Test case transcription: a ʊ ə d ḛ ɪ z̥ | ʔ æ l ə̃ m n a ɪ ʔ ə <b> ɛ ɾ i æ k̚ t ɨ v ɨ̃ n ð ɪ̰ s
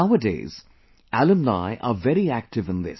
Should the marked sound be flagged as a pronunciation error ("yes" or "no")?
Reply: yes